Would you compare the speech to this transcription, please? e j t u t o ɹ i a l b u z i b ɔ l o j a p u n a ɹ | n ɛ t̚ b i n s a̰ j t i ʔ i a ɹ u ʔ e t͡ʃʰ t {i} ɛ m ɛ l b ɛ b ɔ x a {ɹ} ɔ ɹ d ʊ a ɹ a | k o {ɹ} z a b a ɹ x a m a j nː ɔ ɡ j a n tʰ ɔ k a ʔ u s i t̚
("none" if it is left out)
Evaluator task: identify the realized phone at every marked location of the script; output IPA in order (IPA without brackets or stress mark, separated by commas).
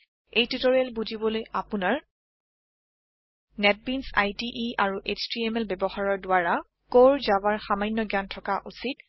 i, ɹ, ɹ